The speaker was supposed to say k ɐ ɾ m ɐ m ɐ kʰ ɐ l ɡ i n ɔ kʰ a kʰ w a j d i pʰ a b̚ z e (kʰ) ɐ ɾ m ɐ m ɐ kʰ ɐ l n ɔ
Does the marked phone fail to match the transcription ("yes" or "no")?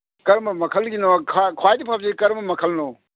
yes